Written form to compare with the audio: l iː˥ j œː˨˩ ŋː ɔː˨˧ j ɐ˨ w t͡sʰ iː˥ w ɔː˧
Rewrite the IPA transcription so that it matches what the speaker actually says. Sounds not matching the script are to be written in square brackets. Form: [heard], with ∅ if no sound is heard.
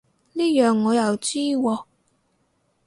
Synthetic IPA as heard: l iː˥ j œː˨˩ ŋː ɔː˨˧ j ɐ˨ w [t͡s] iː˥ w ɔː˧